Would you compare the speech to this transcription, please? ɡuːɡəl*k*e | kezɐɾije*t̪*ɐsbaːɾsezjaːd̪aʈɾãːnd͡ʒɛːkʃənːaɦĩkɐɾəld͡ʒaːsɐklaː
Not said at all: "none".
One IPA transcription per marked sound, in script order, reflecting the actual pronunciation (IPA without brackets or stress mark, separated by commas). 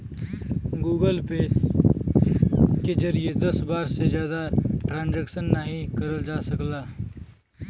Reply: p, d̪